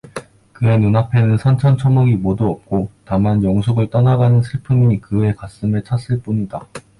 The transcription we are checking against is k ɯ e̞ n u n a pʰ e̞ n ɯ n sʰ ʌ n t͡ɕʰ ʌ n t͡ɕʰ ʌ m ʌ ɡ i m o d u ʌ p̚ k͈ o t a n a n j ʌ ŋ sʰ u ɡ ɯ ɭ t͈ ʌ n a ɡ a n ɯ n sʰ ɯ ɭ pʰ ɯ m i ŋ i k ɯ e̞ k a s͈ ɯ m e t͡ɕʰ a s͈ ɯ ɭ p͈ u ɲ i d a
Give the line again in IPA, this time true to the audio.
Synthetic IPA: k ɯ e̞ n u n a pʰ e̞ n ɯ n sʰ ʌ n t͡ɕʰ ʌ n t͡ɕʰ ʌ m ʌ ɡ i m o d u ʌ p̚ k͈ o t a m a n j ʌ ŋ sʰ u ɡ ɯ ɭ t͈ ʌ n a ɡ a n ɯ n sʰ ɯ ɭ pʰ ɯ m i ɲ i k ɯ e̞ k a s͈ ɯ m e t͡ɕʰ a s͈ ɯ ɭ p͈ u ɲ i d a

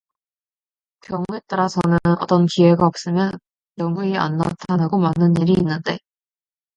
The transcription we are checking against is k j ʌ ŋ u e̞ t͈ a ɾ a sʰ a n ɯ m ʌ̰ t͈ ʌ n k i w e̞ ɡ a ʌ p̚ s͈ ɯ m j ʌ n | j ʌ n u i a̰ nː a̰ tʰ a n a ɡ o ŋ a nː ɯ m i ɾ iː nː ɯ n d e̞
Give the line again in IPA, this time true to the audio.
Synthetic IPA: k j ʌ ŋ u e̞ t͈ a ɾ a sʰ ʌ n ɯ n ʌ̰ t͈ ʌ n k i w e̞ ɡ a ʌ p̚ s͈ ɯ m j ʌ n | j ʌ ŋ u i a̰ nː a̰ tʰ a n a ɡ o m a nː ɯ n i ɾ iː nː ɯ n d e̞

